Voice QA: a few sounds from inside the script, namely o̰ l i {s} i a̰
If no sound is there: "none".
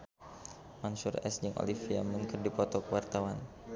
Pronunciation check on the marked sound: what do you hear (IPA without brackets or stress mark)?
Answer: f